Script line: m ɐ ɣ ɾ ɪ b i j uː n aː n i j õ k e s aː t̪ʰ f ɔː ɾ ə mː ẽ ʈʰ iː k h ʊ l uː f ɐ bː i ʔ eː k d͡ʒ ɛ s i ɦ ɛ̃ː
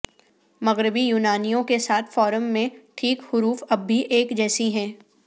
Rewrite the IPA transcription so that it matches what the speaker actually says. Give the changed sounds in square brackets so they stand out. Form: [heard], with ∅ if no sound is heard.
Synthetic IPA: m ɐ ɣ ɾ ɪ b i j uː n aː n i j õ k e s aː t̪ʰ f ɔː ɾ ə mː ẽ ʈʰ iː k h ʊ [ɾ] uː f ɐ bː i ʔ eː k d͡ʒ [ɛː] s i ɦ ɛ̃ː